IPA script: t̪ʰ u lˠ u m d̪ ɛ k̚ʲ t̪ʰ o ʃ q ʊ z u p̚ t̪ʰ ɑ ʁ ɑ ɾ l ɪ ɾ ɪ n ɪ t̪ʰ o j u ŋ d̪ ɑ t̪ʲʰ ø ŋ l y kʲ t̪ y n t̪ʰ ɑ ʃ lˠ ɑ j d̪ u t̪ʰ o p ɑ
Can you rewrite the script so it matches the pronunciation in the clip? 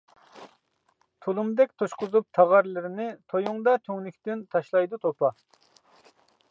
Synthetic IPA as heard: t̪ʰ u lˠ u m d̪ ɛ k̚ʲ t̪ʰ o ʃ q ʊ z u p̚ t̪ʰ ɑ ʁ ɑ ɾ l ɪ ɾ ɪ n ɪ t̪ʰ o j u ŋ d̪ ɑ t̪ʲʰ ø ŋ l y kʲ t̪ y n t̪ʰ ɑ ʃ lˠ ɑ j d̪ u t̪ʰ o p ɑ